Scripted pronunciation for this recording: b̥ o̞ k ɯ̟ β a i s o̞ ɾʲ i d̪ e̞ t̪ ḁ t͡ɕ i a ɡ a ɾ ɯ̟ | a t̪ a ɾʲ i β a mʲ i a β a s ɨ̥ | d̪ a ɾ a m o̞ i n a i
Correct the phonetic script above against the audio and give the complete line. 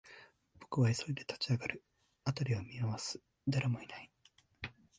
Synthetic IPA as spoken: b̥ o̞ k ɯ̟ β a i s o̞ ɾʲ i d̪ e̞ t̪ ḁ t͡ɕ i a ɡ a ɾ ɯ̟ | a t̪ a ɾʲ i β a mʲ i a β a s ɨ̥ | d̪ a ɾ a m o̞ i n a i